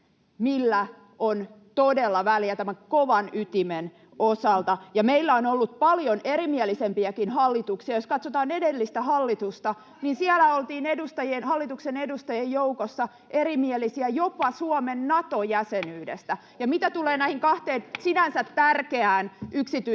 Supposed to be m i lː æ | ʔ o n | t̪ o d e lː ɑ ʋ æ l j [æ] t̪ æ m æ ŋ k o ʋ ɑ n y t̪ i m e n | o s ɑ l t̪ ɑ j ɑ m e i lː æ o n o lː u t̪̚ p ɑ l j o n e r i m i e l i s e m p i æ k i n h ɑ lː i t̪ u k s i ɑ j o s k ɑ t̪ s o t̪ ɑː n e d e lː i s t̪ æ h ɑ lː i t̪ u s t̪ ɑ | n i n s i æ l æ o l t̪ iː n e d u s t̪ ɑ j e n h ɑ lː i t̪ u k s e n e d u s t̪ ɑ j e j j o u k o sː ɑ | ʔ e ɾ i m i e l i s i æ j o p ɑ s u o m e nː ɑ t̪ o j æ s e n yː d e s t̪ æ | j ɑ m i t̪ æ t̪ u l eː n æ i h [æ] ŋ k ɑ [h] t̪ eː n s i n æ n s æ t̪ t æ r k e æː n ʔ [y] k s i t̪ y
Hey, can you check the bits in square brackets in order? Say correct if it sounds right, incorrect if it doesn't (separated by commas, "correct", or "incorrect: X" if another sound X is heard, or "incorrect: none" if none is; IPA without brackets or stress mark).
correct, incorrect: i, correct, correct